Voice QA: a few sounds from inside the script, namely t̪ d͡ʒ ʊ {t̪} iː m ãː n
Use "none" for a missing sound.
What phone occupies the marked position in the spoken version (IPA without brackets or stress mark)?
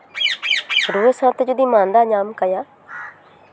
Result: d̪